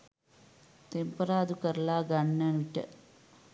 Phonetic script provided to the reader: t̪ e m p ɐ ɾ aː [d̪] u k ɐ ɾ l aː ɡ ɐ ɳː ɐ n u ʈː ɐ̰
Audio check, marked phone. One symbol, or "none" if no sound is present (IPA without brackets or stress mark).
d̪